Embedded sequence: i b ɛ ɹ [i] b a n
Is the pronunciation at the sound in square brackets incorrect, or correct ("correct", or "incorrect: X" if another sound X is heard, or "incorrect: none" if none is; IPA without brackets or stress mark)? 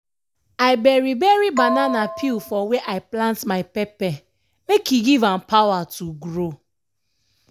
correct